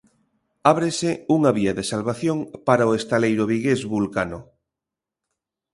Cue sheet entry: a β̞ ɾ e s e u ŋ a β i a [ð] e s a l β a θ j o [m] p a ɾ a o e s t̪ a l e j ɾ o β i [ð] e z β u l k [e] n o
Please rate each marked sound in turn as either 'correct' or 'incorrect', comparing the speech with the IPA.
correct, incorrect, incorrect, incorrect

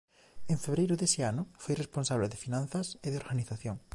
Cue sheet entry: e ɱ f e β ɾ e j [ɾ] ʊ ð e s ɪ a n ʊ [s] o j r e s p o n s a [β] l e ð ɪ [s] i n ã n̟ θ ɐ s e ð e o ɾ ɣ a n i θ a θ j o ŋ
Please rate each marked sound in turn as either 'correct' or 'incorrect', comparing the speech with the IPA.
correct, incorrect, correct, incorrect

